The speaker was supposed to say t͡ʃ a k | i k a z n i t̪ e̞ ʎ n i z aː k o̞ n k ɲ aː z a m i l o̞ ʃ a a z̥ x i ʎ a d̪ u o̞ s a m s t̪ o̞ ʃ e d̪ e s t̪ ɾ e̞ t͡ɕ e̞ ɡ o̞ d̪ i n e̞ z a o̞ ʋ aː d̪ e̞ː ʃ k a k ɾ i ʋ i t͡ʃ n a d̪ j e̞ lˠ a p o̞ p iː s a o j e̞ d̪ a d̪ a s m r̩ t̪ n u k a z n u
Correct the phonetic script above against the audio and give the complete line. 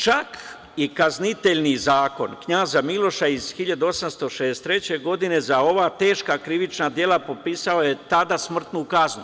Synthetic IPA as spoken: t͡ʃ a k | i k a z n i t̪ e̞ ʎ n i z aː k o̞ n k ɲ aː z a m i l o̞ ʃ a i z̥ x i ʎ a d̪ u o̞ s a m s t̪ o̞ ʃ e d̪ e s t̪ ɾ e̞ t͡ɕ e̞ ɡ o̞ d̪ i n e̞ z a o̞ ʋ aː t̪ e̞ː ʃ k a k ɾ i ʋ i t͡ʃ n a d̪ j e̞ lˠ a p o̞ p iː s a o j e̞ t̪ a d̪ a s m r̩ t̪ n u k a z n u